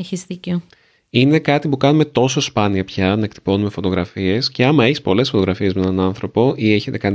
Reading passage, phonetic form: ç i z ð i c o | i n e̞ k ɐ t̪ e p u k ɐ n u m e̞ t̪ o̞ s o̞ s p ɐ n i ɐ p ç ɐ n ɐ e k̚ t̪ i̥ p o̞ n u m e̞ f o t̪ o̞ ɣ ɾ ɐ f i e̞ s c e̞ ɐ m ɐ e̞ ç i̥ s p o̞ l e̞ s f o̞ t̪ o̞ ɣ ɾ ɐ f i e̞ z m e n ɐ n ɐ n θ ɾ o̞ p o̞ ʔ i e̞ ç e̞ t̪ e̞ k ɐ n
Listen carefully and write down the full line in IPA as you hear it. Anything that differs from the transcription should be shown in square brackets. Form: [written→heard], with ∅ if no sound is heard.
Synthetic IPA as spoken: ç i z ð i c o | i n e̞ k ɐ t̪ [e→i] p u k ɐ n u m e̞ t̪ o̞ s o̞ s p ɐ n i ɐ p ç ɐ n ɐ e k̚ t̪ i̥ p o̞ n u m e̞ f o t̪ o̞ ɣ ɾ ɐ f i e̞ s c e̞ ɐ m ɐ e̞ ç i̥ s p o̞ l e̞ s f o̞ t̪ o̞ ɣ ɾ ɐ f i e̞ z m e n ɐ n ɐ n θ ɾ o̞ p o̞ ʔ i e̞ ç e̞ t̪ e̞ k ɐ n